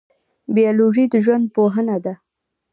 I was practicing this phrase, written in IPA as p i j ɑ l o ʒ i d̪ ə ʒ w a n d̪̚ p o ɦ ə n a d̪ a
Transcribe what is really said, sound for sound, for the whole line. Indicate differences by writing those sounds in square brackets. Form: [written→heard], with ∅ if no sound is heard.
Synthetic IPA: [p→b] i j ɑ l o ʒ i d̪ ə ʒ w a n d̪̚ p o ɦ ə n a d̪ a